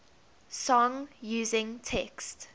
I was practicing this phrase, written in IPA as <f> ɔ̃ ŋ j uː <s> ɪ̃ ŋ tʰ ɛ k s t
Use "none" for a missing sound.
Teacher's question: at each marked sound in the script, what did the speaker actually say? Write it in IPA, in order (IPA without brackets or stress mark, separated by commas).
s, z